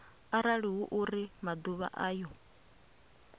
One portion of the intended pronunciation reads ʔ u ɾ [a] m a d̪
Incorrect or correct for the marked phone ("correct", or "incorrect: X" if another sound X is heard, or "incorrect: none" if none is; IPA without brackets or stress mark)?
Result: incorrect: i